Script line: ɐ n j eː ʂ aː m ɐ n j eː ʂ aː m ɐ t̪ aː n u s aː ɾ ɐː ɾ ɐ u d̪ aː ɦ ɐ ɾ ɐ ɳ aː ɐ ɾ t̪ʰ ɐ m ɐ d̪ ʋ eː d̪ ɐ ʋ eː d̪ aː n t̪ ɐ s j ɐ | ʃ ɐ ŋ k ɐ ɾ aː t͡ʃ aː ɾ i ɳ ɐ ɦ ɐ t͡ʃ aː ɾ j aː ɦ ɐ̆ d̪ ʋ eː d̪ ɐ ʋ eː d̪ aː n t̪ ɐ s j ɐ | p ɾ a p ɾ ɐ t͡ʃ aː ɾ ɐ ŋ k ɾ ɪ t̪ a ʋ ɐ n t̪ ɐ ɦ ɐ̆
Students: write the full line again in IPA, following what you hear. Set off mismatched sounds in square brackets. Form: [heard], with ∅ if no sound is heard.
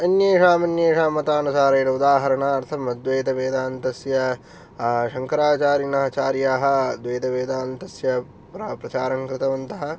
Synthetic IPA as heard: ɐ n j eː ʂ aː m ɐ n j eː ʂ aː m ɐ t̪ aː n u s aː ɾ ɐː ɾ ɐ u d̪ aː ɦ ɐ ɾ ɐ ɳ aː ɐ ɾ t̪ʰ ɐ m ɐ d̪ ʋ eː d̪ ɐ ʋ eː d̪ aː n t̪ ɐ s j ɐ | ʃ ɐ ŋ k ɐ ɾ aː t͡ʃ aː ɾ i [n] ɐ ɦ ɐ t͡ʃ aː ɾ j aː ɦ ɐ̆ d̪ ʋ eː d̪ ɐ ʋ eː d̪ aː n t̪ ɐ s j ɐ | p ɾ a p ɾ ɐ t͡ʃ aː ɾ ɐ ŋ k ɾ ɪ t̪ [ɐ] ʋ ɐ n t̪ ɐ ɦ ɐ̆